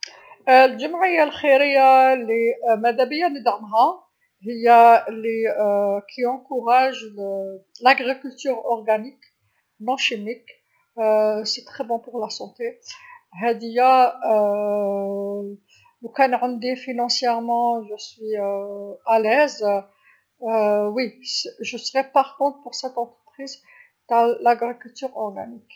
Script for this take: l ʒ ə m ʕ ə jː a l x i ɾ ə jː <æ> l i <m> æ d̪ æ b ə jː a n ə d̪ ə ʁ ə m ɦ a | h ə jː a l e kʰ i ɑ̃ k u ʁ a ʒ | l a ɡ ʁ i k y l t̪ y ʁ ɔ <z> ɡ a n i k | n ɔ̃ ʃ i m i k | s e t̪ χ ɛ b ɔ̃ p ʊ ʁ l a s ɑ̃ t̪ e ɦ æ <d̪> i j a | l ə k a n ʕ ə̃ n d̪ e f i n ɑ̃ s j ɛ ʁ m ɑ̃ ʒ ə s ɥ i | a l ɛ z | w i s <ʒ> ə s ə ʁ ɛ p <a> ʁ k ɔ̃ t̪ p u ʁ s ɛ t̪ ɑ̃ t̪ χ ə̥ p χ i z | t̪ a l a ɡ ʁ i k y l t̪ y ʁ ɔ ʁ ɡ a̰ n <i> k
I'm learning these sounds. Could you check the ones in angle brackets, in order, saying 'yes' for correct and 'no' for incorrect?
no, yes, no, yes, yes, yes, yes

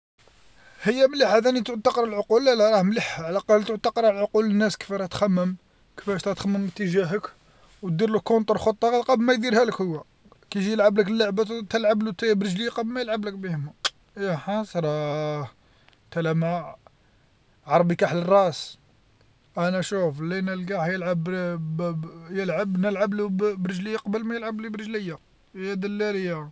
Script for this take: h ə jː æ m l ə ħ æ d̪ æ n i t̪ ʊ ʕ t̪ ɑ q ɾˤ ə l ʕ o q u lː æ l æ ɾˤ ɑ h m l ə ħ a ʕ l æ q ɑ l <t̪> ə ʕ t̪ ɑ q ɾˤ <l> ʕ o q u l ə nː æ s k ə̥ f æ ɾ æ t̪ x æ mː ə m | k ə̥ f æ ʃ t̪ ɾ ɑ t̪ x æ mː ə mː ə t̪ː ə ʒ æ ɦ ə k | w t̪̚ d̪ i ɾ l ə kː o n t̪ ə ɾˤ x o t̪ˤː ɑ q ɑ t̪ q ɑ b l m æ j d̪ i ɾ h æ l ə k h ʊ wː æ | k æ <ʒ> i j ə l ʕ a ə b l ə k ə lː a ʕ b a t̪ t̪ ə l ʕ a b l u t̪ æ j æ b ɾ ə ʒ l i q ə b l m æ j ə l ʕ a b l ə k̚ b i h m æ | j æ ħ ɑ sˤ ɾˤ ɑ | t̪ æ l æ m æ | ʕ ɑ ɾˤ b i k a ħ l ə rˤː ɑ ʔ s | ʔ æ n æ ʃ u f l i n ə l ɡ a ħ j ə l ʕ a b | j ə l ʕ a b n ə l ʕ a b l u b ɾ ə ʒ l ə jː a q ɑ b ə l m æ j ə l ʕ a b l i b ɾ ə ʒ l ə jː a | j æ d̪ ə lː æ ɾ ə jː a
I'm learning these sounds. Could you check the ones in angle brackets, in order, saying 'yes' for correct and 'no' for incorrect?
yes, yes, yes

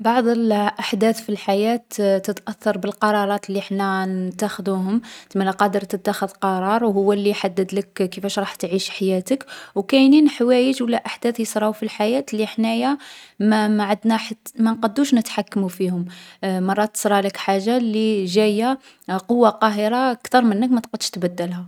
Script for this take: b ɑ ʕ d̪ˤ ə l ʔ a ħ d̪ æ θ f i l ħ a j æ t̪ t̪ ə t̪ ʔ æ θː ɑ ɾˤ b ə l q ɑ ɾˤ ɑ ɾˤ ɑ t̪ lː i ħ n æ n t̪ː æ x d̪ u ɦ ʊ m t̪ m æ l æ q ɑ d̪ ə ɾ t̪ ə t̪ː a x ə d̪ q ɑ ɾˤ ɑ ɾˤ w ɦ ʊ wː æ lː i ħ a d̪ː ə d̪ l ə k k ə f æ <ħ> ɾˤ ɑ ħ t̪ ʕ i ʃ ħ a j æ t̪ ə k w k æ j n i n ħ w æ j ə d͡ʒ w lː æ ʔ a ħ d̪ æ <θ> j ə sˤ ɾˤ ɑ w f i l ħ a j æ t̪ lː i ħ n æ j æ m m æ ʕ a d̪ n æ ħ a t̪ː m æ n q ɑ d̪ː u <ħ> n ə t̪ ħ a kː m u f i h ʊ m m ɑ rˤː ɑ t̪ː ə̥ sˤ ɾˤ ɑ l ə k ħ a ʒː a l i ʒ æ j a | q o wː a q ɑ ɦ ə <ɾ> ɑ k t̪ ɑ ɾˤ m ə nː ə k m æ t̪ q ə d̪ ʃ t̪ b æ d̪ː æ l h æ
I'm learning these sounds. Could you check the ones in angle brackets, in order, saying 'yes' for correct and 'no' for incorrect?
no, yes, no, yes

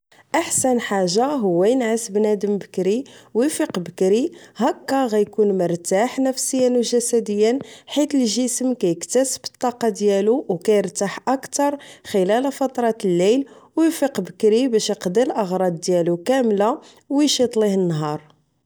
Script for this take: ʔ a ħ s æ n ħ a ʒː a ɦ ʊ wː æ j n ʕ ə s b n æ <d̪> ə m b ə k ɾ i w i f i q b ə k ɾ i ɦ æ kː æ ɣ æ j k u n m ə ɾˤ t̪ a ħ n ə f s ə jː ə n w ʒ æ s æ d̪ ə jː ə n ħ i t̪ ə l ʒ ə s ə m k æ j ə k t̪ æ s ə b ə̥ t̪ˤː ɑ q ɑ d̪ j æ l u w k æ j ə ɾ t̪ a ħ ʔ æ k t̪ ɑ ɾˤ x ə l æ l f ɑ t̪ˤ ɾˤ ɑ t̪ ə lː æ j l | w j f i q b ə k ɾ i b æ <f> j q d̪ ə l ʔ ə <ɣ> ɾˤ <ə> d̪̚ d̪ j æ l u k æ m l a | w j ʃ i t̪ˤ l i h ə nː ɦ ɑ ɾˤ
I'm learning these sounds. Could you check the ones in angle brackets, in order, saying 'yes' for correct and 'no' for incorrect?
yes, no, yes, no

